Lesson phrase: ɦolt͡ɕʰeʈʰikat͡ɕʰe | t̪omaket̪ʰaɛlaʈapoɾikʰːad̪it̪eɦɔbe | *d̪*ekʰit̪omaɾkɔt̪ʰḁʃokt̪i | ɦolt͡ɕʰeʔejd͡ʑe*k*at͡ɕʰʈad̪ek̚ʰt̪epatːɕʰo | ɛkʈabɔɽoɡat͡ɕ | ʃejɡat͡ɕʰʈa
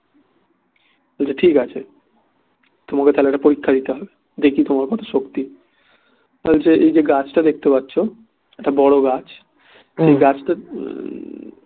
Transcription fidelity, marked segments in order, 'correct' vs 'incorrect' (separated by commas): correct, incorrect